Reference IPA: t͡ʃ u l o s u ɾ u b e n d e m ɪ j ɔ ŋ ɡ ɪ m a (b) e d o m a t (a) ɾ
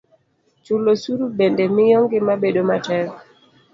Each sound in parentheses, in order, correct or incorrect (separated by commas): correct, incorrect